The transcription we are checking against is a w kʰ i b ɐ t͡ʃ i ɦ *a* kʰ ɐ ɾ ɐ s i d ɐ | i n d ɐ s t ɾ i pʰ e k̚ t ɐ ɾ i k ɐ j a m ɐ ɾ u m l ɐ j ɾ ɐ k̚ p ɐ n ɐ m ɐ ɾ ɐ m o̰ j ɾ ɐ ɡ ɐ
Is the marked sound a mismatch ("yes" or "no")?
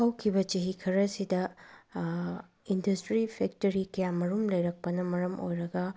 yes